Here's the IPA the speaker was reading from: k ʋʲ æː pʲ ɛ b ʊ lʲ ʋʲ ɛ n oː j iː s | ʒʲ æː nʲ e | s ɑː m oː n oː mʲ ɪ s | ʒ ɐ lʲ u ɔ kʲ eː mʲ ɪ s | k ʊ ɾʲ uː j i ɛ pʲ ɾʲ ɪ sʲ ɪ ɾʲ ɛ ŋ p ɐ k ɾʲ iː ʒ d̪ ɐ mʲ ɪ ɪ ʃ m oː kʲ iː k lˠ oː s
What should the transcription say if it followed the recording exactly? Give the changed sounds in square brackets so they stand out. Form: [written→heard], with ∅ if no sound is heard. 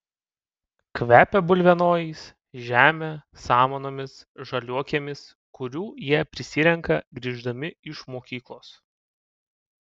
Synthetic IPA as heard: k ʋʲ æː pʲ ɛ b ʊ lʲ ʋʲ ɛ n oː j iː s | ʒʲ æː [nʲ→mʲ] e | s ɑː m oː n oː mʲ ɪ s | ʒ ɐ lʲ u ɔ kʲ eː mʲ ɪ s | k ʊ ɾʲ uː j i ɛ pʲ ɾʲ ɪ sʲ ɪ ɾʲ ɛ ŋ [p→k] ɐ [k→ɡ] ɾʲ iː ʒ d̪ ɐ mʲ ɪ ɪ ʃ m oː kʲ iː k lˠ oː s